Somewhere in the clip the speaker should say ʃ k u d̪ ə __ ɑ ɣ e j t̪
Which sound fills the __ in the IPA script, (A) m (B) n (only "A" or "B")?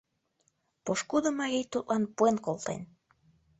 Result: A